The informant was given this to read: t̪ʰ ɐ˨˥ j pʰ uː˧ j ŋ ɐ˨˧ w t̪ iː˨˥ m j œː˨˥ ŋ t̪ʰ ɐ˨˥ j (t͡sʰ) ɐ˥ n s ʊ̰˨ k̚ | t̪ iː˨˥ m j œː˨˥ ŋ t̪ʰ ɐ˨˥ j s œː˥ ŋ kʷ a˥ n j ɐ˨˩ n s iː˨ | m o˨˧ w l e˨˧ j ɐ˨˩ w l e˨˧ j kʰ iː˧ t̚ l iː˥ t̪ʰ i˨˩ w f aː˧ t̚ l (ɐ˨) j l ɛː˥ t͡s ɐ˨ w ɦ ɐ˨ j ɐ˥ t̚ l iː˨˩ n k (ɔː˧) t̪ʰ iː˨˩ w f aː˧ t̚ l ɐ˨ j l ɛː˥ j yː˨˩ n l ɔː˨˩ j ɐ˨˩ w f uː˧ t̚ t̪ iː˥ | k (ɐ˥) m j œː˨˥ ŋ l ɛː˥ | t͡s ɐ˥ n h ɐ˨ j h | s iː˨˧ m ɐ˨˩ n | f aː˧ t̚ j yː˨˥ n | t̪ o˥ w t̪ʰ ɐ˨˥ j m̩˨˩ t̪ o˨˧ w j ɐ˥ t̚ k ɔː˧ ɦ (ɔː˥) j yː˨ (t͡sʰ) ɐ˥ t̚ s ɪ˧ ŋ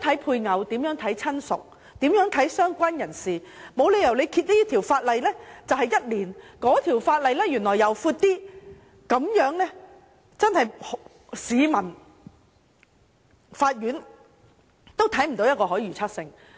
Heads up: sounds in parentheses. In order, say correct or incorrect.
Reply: correct, correct, incorrect: ɔː˨˥, incorrect: ɐ˨˥, incorrect: ɔː˨˥, correct

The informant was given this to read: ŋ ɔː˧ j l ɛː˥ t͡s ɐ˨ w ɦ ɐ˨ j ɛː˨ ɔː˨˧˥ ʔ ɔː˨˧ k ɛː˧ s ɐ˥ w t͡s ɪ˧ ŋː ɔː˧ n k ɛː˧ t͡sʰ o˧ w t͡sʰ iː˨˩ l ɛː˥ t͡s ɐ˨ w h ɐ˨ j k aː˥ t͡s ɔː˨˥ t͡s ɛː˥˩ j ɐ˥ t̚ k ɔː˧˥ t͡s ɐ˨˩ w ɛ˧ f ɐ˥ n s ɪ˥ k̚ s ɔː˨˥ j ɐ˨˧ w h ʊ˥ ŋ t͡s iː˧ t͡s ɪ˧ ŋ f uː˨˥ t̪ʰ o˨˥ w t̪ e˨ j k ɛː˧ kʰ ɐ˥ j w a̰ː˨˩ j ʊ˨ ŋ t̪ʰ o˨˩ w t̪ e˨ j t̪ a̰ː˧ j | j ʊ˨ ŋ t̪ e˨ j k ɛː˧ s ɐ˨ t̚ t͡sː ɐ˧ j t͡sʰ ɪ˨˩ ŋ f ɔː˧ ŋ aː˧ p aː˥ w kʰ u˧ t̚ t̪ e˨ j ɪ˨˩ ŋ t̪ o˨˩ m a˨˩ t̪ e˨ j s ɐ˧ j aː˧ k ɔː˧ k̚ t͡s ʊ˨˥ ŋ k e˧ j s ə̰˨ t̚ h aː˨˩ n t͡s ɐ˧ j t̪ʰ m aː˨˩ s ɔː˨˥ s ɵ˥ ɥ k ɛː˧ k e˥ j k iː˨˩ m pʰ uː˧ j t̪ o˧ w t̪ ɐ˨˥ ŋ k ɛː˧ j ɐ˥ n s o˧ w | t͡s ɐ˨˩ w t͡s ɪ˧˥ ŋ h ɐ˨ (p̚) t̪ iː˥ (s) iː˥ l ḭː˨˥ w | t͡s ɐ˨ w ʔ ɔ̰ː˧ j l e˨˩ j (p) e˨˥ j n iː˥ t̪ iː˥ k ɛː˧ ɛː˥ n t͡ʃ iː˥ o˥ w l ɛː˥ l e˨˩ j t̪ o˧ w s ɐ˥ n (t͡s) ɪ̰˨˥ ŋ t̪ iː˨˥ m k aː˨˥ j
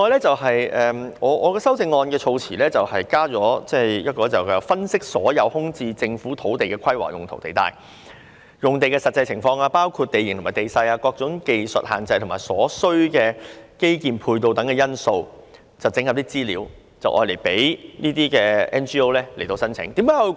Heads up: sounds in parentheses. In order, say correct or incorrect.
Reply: correct, incorrect: t͡s, correct, incorrect: t͡sʰ

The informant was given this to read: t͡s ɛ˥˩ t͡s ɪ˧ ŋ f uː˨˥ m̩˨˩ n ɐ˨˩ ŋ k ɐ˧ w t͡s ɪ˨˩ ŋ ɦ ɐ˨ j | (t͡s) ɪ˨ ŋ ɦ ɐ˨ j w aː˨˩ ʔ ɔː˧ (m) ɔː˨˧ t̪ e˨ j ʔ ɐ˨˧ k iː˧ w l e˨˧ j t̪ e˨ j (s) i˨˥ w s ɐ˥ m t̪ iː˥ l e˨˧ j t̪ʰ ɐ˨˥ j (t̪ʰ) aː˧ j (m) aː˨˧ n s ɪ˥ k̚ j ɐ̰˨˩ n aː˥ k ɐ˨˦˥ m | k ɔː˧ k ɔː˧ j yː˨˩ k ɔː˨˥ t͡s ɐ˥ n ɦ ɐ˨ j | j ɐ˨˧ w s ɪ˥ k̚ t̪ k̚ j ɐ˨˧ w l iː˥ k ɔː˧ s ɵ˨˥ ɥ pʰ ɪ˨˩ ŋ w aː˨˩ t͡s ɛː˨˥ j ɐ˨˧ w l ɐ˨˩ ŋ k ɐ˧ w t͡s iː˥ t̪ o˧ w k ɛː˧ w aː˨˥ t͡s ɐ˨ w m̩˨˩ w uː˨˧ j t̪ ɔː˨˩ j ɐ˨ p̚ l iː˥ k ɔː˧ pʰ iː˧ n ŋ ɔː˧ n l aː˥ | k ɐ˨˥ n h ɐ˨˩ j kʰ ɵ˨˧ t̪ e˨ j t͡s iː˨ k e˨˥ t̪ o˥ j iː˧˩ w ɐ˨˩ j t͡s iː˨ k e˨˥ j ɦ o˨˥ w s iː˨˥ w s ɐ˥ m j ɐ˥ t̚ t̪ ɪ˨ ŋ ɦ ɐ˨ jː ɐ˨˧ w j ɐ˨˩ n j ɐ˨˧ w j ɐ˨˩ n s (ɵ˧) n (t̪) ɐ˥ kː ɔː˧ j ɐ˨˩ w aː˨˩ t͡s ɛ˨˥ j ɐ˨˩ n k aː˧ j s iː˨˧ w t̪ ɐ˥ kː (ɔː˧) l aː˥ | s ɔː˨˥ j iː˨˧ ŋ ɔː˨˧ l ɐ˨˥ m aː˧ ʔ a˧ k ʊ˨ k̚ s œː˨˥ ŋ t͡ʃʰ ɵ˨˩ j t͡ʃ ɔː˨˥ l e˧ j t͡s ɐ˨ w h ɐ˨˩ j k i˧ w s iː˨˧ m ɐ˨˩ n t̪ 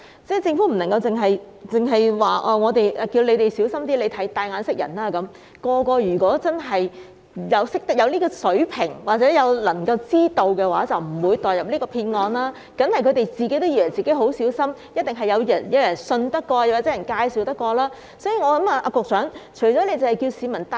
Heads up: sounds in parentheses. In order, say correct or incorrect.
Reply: correct, incorrect: ŋ, correct, incorrect: t̪, incorrect: ŋ, correct, correct, correct

